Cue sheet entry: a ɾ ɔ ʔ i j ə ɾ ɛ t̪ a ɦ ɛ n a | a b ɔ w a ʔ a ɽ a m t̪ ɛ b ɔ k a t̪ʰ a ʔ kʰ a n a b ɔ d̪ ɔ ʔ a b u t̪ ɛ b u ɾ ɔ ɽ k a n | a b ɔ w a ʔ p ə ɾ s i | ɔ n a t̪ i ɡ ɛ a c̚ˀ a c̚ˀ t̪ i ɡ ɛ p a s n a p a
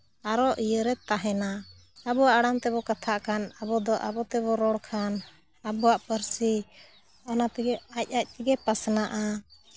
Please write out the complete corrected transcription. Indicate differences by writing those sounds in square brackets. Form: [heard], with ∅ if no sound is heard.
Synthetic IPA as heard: a ɾ ɔ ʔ i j ə ɾ ɛ t̪ a ɦ ɛ n a | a b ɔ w a ʔ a ɽ a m t̪ ɛ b ɔ k a t̪ʰ a ʔ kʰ a n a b ɔ d̪ ɔ ʔ a b [ɔ] t̪ ɛ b [ɔ] ɾ ɔ ɽ [kʰ] a n | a b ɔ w a ʔ p ə ɾ s i | ɔ n a t̪ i ɡ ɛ a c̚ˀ a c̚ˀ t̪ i ɡ ɛ p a s n a [ʔ] a